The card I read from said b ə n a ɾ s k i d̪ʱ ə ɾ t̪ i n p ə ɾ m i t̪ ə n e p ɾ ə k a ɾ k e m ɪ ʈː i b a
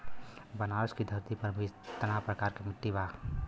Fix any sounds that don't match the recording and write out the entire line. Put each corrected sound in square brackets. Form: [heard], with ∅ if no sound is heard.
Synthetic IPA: b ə n a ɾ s k i d̪ʱ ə ɾ t̪ i [∅] p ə ɾ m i t̪ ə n [a] p ɾ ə k a ɾ k e m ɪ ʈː i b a